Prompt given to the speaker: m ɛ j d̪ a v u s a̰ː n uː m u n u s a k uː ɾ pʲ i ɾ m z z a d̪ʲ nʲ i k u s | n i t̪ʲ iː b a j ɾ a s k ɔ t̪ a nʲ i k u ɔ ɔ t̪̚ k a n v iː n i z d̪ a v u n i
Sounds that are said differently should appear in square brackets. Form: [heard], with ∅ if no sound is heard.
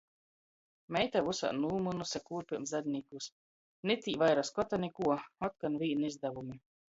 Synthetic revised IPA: m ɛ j [t̪] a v u s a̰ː n uː m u n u s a k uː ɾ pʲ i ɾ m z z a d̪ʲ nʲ i k u s | n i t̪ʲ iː [v] a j ɾ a s k ɔ t̪ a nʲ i k u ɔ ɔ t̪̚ k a n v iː n i z d̪ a v u [m] i